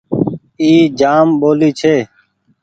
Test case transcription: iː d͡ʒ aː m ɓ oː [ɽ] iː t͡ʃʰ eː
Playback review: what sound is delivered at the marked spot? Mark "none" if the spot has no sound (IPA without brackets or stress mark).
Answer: l